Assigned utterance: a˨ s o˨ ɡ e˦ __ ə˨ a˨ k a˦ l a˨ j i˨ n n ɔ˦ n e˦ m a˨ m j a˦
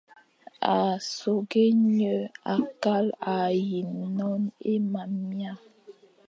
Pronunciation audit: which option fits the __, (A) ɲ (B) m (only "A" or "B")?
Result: A